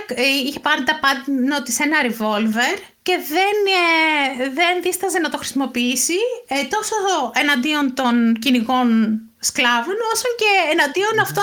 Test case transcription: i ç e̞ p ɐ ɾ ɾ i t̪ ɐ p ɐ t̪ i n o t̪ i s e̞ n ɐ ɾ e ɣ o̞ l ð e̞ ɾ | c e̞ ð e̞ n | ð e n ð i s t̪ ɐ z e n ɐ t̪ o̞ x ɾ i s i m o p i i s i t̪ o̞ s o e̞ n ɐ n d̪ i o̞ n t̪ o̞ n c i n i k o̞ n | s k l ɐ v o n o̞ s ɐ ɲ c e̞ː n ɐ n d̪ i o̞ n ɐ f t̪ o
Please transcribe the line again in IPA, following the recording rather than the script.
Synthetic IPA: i ç e̞ p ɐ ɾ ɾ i t̪ ɐ p ɐ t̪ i n o t̪ i s e̞ n ɐ ɾ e v o̞ l v e̞ ɾ | c e̞ ð e̞ n | ð e n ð i s t̪ ɐ z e n ɐ t̪ o̞ x ɾ i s i m o p i i s i t̪ o̞ s o e̞ n ɐ n d̪ i o̞ n t̪ o̞ n c i n i k o̞ n | s k l ɐ v o n o̞ s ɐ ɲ c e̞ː n ɐ n d̪ i o̞ n ɐ f t̪ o